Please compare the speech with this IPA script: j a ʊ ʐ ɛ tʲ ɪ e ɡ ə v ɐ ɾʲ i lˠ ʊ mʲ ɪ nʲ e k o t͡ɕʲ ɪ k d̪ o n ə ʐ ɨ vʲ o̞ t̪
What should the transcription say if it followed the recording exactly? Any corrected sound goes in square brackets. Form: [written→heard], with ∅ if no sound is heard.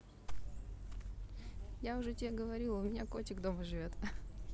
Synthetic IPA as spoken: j a ʊ ʐ ɛ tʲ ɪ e ɡ ə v ɐ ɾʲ i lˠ ʊ mʲ ɪ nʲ [e→a] k o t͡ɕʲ ɪ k d̪ o [n→m] ə ʐ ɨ vʲ o̞ t̪